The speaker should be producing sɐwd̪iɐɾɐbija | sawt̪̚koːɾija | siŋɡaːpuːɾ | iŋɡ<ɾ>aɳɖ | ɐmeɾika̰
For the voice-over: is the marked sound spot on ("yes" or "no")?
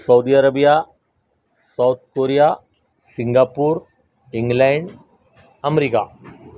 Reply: no